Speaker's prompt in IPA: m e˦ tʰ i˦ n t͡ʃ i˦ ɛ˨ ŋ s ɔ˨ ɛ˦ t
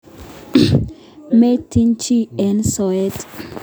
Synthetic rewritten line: m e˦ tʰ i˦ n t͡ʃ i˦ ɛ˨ n s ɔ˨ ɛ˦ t